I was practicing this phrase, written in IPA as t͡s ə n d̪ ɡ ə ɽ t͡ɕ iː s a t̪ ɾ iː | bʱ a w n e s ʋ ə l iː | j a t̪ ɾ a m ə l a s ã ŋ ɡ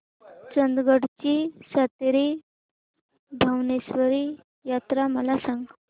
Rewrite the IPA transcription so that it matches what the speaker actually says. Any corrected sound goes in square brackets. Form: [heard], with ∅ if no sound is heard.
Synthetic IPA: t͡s ə n d̪ ɡ ə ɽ t͡ɕ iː s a t̪ ɾ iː | bʱ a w n e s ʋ ə [ɾ] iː | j a t̪ ɾ a m ə l a s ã ŋ ɡ